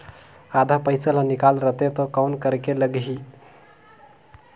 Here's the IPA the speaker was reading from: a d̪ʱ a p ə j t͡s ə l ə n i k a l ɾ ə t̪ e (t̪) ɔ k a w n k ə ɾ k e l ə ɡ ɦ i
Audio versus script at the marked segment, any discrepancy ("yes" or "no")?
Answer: no